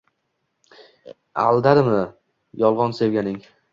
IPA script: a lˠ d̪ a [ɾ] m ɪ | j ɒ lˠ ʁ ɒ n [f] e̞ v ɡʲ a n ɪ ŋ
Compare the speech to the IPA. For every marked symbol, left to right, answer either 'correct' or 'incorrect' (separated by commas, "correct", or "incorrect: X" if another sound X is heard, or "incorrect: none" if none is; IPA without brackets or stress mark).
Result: correct, incorrect: s